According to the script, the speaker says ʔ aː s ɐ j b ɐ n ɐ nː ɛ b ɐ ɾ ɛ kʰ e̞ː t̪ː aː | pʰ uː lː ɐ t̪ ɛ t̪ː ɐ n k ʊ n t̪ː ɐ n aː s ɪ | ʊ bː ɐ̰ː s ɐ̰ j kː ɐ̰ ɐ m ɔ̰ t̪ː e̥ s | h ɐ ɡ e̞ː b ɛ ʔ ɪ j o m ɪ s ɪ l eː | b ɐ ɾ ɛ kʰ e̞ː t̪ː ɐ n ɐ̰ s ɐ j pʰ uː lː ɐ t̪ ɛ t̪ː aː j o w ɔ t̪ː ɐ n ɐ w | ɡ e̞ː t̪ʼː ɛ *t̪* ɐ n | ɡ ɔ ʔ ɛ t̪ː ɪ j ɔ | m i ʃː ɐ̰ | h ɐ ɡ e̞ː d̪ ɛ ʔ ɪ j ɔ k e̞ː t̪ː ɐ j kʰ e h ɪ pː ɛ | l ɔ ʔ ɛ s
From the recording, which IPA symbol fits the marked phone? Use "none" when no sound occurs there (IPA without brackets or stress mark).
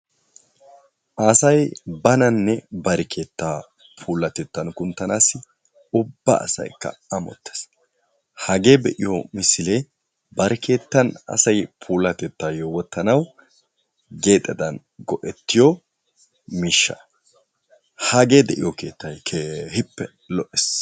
d̪